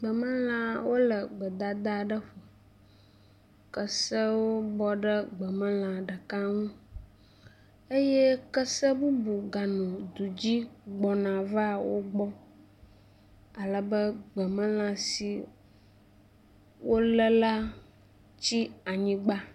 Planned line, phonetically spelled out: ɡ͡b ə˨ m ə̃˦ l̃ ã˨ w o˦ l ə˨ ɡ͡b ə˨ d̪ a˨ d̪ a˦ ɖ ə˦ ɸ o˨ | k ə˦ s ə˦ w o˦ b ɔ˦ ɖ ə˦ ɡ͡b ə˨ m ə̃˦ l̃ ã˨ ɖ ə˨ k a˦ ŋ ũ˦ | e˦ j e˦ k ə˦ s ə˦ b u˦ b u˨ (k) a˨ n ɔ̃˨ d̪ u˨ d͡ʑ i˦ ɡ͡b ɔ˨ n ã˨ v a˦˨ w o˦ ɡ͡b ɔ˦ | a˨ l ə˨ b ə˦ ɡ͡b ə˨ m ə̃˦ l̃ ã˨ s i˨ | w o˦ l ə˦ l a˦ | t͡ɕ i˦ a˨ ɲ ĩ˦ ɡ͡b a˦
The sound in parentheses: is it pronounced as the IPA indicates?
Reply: no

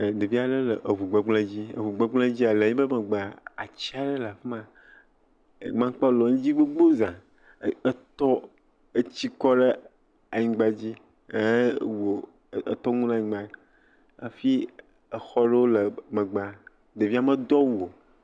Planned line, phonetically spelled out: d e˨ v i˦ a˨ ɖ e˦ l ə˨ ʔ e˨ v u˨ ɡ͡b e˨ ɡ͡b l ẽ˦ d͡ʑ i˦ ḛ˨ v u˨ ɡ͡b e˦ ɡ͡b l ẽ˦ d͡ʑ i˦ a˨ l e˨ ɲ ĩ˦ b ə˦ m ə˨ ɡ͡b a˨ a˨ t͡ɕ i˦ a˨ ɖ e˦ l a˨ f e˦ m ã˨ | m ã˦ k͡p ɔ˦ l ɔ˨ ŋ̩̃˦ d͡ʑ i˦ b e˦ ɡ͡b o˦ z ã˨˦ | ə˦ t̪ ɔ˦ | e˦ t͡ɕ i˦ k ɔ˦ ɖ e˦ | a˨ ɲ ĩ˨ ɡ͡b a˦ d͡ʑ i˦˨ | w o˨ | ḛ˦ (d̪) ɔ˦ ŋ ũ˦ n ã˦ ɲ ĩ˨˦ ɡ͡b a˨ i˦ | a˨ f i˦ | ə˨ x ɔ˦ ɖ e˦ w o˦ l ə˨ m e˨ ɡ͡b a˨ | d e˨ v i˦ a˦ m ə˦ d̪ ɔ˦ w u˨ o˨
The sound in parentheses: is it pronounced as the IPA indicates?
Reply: no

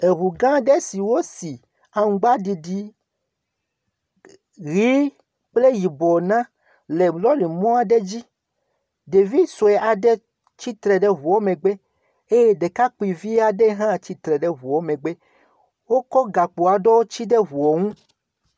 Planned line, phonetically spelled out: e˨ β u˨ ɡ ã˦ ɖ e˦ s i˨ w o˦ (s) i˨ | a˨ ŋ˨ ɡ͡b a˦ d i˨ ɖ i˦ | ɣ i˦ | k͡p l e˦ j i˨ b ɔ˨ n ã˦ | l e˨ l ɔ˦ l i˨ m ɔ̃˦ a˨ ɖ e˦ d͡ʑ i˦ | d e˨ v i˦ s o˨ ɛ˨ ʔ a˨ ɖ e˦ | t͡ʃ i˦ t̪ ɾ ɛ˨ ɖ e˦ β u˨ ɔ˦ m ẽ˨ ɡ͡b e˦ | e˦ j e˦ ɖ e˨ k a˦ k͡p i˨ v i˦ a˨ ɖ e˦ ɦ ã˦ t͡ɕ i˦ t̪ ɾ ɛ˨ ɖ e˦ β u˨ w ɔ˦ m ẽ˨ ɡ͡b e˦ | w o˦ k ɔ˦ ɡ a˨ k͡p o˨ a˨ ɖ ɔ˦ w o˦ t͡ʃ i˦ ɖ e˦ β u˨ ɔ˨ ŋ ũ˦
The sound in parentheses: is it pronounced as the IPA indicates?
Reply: yes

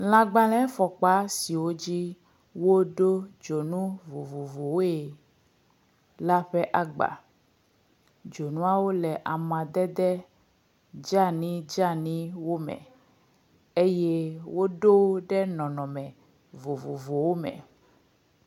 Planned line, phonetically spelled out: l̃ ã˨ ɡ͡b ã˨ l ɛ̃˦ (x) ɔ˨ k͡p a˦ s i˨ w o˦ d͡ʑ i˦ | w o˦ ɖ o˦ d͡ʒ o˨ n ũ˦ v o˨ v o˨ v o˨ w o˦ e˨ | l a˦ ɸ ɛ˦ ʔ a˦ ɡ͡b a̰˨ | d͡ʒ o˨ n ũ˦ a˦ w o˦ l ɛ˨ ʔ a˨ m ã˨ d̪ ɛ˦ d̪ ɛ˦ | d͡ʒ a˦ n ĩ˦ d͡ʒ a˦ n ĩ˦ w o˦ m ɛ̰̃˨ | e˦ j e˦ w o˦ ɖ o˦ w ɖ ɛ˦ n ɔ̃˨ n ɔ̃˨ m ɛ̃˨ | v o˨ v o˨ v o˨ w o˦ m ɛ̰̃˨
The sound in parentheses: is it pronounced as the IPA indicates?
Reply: no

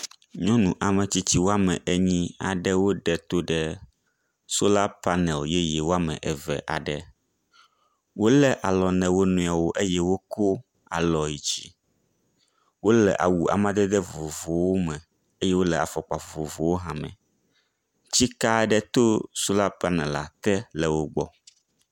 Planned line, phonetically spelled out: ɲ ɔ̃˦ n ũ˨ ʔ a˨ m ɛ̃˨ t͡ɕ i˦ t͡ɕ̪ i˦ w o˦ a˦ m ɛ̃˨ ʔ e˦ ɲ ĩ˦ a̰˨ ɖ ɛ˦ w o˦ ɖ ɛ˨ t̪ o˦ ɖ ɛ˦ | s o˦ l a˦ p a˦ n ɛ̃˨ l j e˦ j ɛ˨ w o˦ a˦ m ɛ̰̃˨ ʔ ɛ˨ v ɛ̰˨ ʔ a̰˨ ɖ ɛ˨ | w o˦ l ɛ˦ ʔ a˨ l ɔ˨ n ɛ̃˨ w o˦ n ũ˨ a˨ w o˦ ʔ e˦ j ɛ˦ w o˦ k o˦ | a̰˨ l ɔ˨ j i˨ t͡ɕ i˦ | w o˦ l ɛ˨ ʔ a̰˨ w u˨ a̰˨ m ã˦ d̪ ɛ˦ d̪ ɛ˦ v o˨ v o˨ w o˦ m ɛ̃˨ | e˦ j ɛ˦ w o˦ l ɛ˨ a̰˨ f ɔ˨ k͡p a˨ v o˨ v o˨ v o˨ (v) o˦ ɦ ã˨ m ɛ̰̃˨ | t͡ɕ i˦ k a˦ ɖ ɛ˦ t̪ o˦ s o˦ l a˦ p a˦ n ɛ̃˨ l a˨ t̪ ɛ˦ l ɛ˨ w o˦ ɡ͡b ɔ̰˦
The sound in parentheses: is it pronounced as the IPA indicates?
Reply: no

